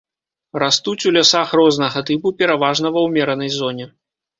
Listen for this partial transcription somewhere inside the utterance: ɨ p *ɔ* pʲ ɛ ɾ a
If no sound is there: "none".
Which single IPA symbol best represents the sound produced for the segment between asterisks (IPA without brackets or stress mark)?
u